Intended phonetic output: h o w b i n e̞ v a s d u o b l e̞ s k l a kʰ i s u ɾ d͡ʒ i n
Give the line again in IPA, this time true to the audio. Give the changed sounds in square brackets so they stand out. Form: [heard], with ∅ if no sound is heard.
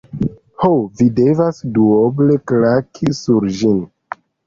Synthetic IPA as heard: h o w [v] i [d] e̞ v a s d u o b l e̞ [∅] k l a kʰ i s u ɾ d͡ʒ i n